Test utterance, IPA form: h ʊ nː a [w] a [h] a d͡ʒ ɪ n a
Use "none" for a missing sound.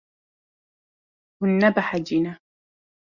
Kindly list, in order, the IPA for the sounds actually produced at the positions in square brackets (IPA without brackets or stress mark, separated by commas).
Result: b, ħ